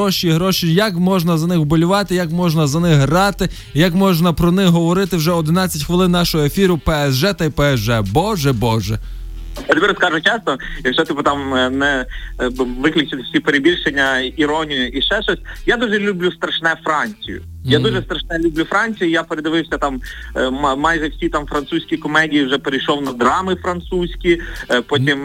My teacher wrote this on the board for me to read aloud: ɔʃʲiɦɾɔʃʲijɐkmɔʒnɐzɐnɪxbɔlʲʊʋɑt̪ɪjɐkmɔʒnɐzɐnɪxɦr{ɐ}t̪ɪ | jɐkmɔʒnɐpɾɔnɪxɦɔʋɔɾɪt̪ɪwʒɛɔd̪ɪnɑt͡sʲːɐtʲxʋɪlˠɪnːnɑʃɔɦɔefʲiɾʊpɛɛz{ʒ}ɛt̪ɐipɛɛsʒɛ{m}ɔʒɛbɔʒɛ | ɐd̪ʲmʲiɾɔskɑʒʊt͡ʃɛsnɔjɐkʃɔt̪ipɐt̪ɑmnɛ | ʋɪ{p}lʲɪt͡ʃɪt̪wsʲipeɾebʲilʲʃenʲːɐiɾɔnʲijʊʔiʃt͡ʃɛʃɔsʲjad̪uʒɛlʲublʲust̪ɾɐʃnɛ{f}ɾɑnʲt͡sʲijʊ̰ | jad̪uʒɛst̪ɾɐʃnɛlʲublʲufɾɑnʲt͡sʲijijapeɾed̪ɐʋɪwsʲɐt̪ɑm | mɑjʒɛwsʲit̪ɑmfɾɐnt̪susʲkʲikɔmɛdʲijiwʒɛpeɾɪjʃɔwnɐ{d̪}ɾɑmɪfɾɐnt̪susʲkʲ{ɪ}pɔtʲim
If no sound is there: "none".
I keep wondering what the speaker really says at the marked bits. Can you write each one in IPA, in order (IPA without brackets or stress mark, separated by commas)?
ɑ, ʒ, b, k, f, d̪, i